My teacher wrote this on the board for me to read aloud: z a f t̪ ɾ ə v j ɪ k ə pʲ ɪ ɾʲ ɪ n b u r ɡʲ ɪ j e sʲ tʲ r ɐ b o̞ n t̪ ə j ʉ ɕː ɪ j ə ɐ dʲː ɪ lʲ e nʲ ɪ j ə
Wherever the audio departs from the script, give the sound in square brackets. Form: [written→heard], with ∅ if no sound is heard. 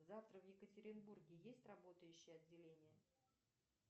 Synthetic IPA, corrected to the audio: z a f t̪ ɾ ə v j ɪ k ə [pʲ→tʲ] ɪ ɾʲ ɪ n b u r ɡʲ ɪ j e sʲ tʲ r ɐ b o̞ [n→∅] t̪ ə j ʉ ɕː ɪ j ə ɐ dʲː ɪ lʲ e nʲ ɪ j ə